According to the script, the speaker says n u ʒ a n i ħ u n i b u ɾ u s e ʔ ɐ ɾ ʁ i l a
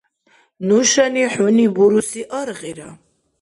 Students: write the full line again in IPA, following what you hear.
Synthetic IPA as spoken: n u ʃ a n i ħ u n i b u ɾ u s i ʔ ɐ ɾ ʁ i ɾ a